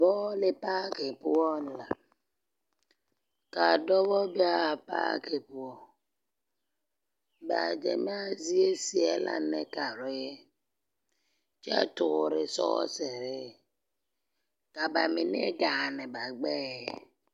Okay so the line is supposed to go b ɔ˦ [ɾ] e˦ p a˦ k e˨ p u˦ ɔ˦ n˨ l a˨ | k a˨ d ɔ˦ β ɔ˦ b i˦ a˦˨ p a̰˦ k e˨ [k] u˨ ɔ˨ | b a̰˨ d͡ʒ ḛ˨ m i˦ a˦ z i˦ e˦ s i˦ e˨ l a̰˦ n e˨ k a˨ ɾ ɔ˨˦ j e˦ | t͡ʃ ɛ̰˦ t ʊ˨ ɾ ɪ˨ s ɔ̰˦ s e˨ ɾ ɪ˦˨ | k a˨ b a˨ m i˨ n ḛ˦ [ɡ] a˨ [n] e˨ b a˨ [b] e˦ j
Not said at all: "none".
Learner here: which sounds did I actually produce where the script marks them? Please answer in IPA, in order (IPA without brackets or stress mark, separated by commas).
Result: l, p, ɡ, n, ɡ͡b